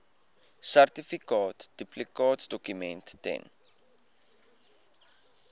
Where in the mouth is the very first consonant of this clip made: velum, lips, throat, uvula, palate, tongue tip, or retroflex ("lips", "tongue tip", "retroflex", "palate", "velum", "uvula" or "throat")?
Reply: tongue tip